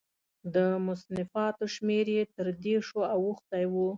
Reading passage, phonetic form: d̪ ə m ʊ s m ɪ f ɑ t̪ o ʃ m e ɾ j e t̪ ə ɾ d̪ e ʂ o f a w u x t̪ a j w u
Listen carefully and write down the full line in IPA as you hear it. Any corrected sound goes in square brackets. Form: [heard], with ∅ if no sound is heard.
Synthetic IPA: d̪ ə m ʊ s [n] ɪ f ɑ t̪ o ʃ m e ɾ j e t̪ ə ɾ d̪ e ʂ o [∅] a w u x t̪ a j w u